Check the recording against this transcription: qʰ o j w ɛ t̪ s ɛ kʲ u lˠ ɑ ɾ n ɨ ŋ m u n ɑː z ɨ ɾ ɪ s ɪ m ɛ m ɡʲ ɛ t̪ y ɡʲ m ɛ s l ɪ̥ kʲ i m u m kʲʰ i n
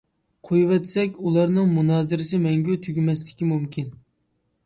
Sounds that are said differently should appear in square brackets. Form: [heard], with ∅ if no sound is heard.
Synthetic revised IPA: qʰ o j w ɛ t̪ s ɛ kʲ u lˠ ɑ ɾ n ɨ ŋ m u n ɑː z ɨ ɾ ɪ s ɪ m ɛ [ŋ] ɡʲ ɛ [t̪ʰ] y ɡʲ m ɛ s l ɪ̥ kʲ i m u m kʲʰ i n